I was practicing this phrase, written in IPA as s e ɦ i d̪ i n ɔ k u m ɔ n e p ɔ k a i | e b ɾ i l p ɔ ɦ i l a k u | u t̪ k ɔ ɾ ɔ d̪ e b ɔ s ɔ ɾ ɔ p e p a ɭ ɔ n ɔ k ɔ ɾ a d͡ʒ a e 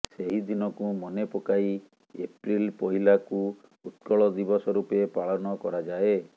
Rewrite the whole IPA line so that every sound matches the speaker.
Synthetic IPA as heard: s e ɦ i d̪ i n ɔ k u m ɔ n e p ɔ k a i | e p ɾ i l p ɔ ɦ i l a k u | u t̪ k ɔ ɭ ɔ d̪ i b ɔ s ɔ ɾ u p e p a ɭ ɔ n ɔ k ɔ ɾ a d͡ʒ a e